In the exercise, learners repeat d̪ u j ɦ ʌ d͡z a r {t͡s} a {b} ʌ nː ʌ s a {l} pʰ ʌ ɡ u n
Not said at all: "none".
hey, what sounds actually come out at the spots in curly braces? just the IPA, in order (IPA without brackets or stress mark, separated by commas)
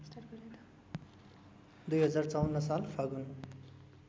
t͡s, w, l